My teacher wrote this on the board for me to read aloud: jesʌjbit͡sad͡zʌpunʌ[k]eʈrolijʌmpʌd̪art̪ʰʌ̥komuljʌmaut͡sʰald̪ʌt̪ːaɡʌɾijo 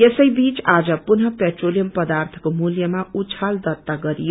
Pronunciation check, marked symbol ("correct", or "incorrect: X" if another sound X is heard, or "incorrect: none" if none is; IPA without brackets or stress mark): incorrect: p